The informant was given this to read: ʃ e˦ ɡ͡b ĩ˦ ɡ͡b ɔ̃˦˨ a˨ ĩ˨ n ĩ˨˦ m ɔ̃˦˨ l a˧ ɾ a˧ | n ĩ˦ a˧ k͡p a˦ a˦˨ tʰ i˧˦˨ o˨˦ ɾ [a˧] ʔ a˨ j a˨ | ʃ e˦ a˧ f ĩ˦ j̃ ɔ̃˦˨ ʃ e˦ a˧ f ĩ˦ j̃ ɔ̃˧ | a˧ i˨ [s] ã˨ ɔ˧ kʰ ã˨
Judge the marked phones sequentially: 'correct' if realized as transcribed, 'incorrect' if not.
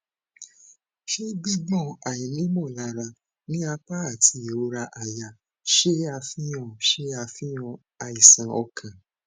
correct, correct

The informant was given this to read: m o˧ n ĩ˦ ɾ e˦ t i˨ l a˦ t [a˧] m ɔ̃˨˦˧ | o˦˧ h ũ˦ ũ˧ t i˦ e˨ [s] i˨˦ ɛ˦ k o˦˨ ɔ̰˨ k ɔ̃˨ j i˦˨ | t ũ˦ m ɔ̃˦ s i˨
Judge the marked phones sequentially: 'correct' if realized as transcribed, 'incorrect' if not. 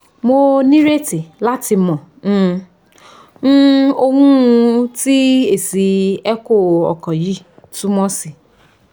incorrect: i˧, correct

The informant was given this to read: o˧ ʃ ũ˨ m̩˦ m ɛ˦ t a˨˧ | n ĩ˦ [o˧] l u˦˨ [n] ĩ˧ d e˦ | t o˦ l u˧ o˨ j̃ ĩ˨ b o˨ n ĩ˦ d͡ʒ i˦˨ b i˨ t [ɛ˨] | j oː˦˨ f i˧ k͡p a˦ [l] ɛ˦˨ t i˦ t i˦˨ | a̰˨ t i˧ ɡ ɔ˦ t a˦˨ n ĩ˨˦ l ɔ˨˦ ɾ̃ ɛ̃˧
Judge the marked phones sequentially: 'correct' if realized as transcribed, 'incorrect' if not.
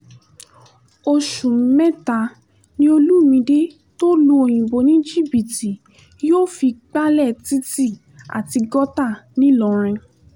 correct, incorrect: m, incorrect: i˨, correct

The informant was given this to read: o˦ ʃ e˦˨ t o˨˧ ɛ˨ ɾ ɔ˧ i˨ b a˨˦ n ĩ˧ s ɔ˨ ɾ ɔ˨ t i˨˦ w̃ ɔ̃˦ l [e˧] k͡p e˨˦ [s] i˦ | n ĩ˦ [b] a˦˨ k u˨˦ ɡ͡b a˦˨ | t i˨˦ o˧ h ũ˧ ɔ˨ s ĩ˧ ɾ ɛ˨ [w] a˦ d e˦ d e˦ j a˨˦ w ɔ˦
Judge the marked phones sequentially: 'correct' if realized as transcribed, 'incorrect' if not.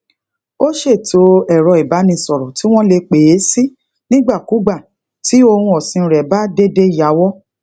correct, correct, incorrect: ɡ͡b, incorrect: b

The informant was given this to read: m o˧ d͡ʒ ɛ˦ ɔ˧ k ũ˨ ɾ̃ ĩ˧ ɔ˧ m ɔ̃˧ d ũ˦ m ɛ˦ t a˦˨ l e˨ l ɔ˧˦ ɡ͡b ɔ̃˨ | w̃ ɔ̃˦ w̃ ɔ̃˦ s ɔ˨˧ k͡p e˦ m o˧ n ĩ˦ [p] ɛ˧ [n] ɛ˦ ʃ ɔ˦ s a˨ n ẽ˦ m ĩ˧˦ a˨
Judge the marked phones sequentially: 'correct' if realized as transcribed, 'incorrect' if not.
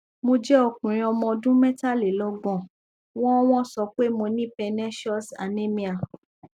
correct, correct

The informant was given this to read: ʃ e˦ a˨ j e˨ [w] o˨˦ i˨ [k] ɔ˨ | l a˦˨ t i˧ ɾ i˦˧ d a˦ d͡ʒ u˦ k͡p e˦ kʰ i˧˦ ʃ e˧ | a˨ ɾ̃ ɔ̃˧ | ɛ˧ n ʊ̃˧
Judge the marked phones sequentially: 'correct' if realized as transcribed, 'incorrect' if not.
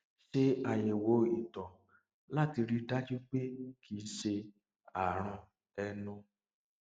correct, incorrect: t

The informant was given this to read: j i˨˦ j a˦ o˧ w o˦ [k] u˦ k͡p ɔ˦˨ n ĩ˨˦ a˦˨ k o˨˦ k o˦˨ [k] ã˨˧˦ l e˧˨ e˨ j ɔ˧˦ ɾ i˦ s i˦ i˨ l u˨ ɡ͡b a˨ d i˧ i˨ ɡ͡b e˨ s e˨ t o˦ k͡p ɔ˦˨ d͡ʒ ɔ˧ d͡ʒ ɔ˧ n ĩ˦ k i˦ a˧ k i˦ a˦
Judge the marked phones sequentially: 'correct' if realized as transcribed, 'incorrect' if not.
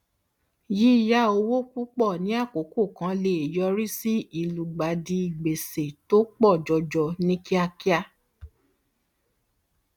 correct, correct

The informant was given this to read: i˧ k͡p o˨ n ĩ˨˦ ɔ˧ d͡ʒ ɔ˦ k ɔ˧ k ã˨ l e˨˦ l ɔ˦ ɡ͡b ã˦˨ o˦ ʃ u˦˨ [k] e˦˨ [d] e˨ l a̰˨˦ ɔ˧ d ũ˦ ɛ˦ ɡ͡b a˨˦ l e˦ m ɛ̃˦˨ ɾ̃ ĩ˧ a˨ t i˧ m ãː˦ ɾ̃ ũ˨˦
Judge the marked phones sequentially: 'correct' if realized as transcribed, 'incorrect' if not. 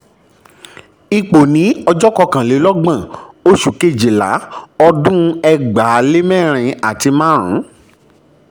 correct, incorrect: d͡ʒ

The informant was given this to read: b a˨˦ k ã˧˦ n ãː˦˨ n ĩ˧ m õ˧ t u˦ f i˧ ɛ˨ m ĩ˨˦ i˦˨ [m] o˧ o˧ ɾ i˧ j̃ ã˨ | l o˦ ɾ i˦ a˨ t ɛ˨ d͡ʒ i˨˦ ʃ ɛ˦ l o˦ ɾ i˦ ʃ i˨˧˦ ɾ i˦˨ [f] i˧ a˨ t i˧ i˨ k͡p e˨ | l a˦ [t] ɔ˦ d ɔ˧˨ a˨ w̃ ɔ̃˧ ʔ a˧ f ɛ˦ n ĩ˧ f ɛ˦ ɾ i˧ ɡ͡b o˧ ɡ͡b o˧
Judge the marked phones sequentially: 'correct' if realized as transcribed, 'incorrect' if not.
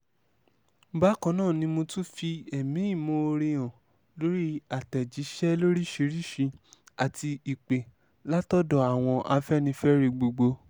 correct, incorrect: ʃ, correct

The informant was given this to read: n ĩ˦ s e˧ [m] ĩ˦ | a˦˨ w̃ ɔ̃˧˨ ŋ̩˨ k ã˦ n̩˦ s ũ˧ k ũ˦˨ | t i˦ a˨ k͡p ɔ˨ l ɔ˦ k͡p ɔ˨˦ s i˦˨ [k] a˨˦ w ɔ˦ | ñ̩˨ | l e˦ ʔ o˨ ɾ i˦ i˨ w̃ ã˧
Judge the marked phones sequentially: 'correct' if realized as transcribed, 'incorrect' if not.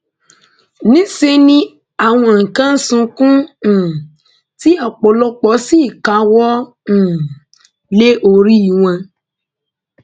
incorrect: n, correct

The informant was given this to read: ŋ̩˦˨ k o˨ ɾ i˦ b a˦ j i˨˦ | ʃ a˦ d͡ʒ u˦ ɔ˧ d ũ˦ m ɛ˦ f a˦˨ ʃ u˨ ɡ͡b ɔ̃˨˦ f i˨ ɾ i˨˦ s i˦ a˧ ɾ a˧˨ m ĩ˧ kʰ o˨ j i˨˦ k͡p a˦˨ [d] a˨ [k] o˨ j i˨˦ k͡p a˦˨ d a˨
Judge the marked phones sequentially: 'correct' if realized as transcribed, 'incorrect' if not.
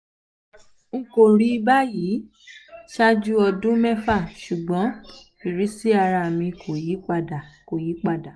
correct, correct

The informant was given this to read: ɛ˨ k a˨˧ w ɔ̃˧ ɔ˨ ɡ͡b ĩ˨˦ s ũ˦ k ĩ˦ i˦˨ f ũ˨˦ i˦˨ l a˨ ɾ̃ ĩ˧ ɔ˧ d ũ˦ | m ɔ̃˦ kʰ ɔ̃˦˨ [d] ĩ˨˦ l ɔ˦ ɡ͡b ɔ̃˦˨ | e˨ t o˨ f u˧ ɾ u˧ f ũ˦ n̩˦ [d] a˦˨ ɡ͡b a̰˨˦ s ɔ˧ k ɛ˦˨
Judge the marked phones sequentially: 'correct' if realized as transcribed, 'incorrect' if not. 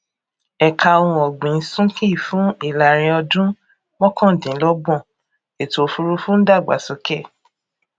correct, correct

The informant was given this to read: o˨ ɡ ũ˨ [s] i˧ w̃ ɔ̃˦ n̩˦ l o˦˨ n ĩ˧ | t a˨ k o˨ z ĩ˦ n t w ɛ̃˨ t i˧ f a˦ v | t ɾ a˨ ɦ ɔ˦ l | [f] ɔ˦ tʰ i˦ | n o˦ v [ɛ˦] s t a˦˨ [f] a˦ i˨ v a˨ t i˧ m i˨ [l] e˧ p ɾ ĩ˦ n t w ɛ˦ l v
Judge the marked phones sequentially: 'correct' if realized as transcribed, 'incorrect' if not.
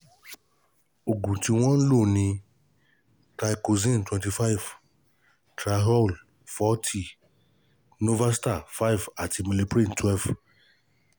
incorrect: t, correct, incorrect: a˦, correct, correct

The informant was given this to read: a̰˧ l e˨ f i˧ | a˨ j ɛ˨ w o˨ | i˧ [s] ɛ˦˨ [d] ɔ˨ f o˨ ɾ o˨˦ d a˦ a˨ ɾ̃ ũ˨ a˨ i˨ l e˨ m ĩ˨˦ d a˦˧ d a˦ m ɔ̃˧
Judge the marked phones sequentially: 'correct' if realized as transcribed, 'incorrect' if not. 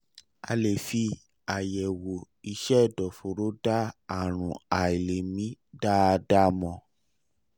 incorrect: ʃ, correct

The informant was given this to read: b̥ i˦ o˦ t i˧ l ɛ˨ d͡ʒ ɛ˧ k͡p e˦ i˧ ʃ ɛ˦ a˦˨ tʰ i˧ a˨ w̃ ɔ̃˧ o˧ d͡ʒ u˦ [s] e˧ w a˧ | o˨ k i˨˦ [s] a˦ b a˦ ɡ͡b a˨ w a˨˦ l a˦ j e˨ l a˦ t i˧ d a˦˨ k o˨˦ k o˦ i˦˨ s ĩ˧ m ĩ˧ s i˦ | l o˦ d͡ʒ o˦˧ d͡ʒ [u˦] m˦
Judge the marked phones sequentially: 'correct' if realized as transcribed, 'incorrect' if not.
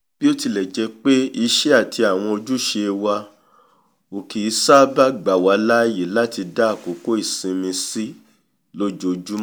incorrect: ʃ, correct, correct

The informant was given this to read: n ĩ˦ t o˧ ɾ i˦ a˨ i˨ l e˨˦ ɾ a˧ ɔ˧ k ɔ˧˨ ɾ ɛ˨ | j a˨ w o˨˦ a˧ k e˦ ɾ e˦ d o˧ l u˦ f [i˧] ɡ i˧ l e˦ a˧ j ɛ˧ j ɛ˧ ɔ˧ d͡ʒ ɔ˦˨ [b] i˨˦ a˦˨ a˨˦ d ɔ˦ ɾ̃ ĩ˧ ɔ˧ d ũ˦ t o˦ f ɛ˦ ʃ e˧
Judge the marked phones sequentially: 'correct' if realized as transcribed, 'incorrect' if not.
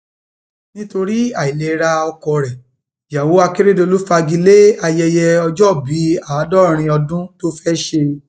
incorrect: a˧, correct

